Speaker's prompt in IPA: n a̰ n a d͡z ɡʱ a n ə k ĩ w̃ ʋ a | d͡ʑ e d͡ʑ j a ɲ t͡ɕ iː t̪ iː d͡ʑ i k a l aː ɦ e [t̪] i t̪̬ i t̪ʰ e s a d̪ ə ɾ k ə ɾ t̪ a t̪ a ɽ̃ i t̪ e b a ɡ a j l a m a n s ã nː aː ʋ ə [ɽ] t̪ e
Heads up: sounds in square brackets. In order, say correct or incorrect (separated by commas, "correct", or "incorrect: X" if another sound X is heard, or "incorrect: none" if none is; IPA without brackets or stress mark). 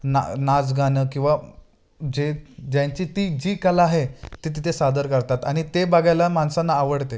correct, correct